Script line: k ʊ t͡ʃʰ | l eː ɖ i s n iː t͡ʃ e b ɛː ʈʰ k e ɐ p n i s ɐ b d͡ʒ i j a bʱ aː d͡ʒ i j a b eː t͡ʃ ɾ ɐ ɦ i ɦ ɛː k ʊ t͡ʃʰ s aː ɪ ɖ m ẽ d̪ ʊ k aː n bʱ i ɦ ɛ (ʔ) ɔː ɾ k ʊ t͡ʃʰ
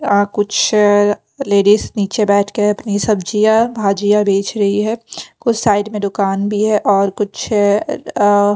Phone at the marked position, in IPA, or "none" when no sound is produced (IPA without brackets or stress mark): ʔ